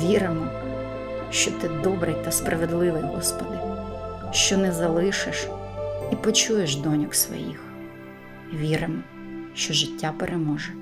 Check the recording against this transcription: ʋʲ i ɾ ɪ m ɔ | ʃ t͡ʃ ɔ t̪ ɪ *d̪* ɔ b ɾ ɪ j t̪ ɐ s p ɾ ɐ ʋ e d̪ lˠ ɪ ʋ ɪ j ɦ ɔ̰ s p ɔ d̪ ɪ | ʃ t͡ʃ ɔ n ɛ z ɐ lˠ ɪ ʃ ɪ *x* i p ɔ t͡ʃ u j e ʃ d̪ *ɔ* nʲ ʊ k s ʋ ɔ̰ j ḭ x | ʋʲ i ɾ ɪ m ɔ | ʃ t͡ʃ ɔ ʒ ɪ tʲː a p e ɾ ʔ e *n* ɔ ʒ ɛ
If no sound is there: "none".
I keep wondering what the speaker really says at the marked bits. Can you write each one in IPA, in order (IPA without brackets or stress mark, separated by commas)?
d̪, ʃ, ɔ, m